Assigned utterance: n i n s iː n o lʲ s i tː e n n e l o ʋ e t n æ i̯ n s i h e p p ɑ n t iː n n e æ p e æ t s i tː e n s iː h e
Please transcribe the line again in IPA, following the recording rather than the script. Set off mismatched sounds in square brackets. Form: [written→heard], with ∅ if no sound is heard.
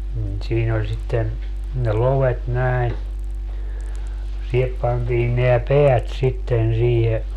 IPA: n i n s iː n o lʲ s i tː e n n e l o ʋ e t n æ i̯ n s i h e p p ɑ n t iː n n e æ p e æ t s i tː e n s iː h e